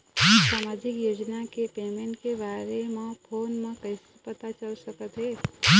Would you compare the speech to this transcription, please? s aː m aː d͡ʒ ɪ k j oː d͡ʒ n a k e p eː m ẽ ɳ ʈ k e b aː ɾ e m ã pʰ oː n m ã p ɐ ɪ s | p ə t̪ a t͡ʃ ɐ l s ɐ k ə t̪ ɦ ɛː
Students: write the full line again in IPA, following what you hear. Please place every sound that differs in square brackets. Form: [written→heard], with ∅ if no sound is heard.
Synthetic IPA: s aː m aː d͡ʒ ɪ k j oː d͡ʒ n a k e p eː m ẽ ɳ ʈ k e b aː ɾ e m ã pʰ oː n m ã [p→k] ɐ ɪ s | p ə t̪ a t͡ʃ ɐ l s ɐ k ə t̪ ɦ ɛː

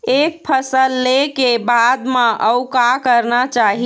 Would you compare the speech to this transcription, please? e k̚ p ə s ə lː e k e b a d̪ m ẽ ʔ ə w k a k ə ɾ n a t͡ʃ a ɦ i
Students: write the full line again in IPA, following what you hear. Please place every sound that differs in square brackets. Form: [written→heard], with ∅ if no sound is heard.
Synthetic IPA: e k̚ [p→pʰ] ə s ə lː e k e b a d̪ m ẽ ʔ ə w k a k ə ɾ n a t͡ʃ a ɦ i

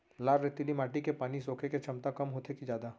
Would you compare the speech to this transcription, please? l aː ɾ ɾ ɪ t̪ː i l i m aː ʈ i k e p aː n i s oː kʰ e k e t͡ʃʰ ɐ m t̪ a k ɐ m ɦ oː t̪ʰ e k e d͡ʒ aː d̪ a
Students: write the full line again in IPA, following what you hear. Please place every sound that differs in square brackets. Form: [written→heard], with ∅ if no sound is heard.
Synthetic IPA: l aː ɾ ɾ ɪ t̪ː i l i m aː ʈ i k e p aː n i s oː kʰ e k e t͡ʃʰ ɐ m t̪ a k ɐ m ɦ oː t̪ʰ e k [e→i] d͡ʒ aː d̪ a

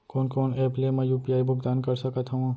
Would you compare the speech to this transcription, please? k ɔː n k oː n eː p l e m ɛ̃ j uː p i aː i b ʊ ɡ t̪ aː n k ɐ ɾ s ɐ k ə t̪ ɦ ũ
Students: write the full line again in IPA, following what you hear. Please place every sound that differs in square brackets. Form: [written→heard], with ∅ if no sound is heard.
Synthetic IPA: k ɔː n k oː n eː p l e m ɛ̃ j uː p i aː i b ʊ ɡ [t̪→d̪] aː n k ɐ ɾ s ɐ k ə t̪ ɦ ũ

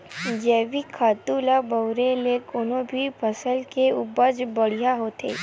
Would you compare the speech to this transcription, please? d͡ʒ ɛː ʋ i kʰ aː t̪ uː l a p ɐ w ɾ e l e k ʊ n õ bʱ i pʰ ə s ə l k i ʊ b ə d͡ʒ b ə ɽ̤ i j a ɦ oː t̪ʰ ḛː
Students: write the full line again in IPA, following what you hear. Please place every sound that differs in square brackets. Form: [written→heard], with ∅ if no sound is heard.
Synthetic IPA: d͡ʒ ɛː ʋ i kʰ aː t̪ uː l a [p→b] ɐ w ɾ e l e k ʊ n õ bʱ i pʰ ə s ə l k [i→e] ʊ b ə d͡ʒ b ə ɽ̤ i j a ɦ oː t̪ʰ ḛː

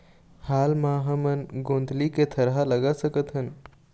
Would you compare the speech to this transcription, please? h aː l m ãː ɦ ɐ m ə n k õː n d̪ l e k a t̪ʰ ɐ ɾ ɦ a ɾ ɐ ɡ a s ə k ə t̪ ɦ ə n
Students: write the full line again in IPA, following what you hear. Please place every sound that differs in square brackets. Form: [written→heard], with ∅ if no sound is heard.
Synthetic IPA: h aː l m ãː ɦ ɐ m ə n [k→ɡ] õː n d̪ l [e→i] k [a→e] t̪ʰ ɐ ɾ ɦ a [ɾ→l] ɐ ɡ a s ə k ə t̪ ɦ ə n

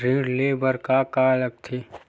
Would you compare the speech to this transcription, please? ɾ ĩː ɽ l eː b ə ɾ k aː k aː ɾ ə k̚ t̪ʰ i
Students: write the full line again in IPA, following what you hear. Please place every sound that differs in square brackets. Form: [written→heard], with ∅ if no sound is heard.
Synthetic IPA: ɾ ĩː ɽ l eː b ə ɾ k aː k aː [ɾ→l] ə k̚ t̪ʰ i

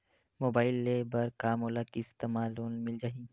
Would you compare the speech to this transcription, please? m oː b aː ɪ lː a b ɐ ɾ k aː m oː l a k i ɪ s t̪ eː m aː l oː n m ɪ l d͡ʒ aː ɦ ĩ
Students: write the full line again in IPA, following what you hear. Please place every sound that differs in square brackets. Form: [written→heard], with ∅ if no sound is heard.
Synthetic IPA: m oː b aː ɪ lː [a→e] b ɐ ɾ k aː m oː l a k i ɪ s t̪ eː m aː l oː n m ɪ l d͡ʒ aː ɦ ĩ

